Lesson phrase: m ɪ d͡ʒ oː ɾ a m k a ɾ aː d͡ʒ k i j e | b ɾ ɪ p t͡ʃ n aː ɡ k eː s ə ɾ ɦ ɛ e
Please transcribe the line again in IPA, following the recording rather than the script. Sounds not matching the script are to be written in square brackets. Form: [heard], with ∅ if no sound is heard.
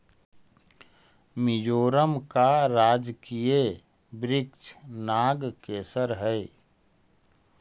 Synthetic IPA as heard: m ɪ d͡ʒ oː ɾ [ə] m k a ɾ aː d͡ʒ k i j e | b ɾ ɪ [k] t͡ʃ n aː ɡ k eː s ə ɾ ɦ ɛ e